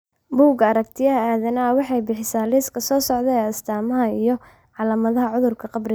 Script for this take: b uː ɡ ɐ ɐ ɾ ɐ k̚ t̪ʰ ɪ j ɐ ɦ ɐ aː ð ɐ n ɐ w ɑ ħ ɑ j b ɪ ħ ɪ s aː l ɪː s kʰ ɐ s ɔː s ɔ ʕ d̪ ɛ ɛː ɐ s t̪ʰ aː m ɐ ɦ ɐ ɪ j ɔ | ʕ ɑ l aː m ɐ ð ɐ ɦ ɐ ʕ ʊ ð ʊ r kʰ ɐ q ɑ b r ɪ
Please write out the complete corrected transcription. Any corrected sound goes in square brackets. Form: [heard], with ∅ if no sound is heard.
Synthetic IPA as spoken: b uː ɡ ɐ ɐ ɾ ɐ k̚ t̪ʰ ɪ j ɐ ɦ ɐ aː ð ɐ n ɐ w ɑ ħ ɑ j b ɪ ħ ɪ s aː l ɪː s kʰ ɐ s ɔː s ɔ ʕ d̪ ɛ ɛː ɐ s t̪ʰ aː m ɐ ɦ ɐ [i] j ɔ | ʕ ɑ l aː m ɐ ð ɐ ɦ ɐ ʕ ʊ ð ʊ r kʰ ɐ q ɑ b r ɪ